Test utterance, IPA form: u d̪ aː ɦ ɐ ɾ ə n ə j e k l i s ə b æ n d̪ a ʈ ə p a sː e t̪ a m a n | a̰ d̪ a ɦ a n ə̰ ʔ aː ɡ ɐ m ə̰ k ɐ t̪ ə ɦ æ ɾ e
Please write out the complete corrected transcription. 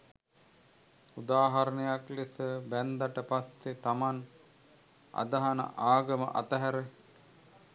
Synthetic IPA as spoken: u d̪ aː ɦ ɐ ɾ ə n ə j a k l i s ə b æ n d̪ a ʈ ə p a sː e t̪ a m a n | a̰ d̪ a ɦ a n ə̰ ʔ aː ɡ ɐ m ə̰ ʔ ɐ t̪ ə ɦ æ ɾ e